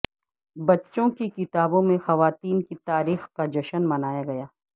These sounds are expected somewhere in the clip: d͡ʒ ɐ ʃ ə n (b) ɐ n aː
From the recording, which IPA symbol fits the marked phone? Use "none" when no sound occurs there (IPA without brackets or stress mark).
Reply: m